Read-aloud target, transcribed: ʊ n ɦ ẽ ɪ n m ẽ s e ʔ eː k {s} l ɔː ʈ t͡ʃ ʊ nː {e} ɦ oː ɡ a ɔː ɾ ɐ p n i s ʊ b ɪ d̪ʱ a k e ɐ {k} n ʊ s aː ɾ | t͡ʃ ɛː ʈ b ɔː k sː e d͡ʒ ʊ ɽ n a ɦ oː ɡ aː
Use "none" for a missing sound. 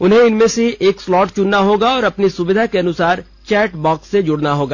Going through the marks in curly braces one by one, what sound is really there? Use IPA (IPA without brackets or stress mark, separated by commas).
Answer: s, a, none